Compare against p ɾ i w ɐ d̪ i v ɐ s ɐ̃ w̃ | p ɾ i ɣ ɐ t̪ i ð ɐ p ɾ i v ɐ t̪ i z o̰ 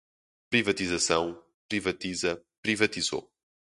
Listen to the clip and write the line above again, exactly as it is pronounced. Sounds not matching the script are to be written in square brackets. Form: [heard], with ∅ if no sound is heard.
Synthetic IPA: p ɾ i [v] ɐ [t̪] i [z] ɐ s ɐ̃ w̃ | p ɾ i [v] ɐ t̪ i [z] ɐ p ɾ i v ɐ t̪ i z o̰